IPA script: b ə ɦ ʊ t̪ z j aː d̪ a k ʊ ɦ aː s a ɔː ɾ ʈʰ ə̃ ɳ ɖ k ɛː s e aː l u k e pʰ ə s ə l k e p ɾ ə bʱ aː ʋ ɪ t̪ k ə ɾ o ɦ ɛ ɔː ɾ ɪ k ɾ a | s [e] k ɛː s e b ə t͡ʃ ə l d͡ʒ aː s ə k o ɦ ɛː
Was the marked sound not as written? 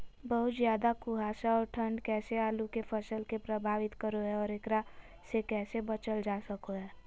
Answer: no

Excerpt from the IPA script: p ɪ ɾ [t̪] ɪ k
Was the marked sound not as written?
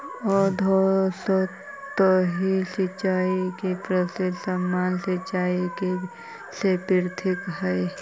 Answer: yes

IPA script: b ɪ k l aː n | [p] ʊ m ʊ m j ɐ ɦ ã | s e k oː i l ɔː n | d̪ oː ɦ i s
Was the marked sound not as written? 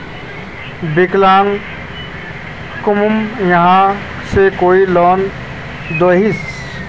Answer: yes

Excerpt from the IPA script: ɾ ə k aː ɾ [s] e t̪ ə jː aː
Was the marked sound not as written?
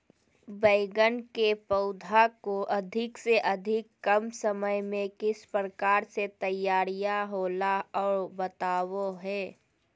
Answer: no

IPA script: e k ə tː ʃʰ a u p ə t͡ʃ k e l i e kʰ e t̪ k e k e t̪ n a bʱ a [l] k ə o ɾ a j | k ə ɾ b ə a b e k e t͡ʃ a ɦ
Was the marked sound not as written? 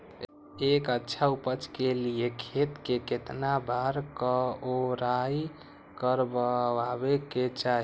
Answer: yes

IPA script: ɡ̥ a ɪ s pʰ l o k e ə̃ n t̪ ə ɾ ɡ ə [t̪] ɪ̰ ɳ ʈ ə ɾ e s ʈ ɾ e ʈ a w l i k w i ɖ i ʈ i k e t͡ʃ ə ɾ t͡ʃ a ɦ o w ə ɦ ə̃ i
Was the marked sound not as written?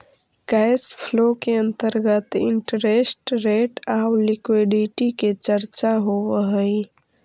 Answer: no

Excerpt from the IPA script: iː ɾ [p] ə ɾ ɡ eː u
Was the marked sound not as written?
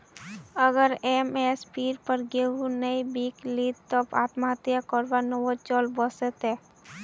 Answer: no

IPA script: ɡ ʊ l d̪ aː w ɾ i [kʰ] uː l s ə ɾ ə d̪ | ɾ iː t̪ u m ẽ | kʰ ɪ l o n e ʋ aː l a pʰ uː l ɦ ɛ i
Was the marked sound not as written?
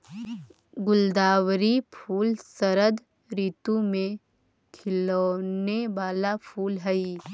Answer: yes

